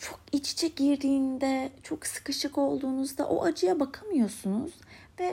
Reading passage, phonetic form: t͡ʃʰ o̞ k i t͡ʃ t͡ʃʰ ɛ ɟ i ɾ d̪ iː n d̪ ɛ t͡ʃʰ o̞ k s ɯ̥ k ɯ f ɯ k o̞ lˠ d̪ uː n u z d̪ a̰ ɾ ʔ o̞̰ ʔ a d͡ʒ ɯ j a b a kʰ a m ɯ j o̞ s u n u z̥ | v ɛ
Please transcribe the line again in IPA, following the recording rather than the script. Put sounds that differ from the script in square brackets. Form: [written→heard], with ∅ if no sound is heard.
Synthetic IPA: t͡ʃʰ o̞ k i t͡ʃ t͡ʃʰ ɛ ɟ i ɾ d̪ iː n d̪ ɛ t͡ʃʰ o̞ k s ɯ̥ k ɯ [f→ʃ] ɯ k o̞ lˠ d̪ uː n u z d̪ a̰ [ɾ→∅] ʔ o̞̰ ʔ a d͡ʒ ɯ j a b a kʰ a m ɯ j o̞ s u n u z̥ | v ɛ